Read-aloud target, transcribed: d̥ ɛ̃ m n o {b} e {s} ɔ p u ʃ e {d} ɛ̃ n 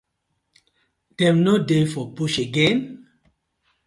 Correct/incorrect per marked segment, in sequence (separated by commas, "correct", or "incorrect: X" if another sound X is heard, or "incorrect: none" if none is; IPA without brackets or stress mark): incorrect: d, incorrect: f, incorrect: ɡ